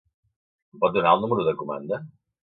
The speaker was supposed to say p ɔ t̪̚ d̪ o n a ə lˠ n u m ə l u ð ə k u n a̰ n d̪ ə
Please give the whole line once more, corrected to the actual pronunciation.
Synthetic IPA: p ɔ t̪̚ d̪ u n a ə lˠ n u m ə ɾ u ð ə k u m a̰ n d̪ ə